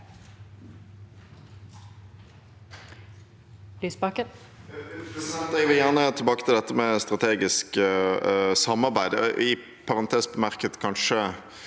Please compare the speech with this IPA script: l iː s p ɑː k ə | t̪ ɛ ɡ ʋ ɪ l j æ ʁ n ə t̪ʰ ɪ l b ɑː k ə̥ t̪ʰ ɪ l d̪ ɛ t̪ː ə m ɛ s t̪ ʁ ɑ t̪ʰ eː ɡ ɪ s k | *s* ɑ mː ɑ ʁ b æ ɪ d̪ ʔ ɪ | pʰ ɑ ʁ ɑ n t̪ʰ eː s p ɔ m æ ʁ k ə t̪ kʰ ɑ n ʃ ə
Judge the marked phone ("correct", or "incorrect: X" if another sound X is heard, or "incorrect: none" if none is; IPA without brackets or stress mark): correct